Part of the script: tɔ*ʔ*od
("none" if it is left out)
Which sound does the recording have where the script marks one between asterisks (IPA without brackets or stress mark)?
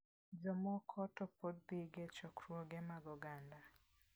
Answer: p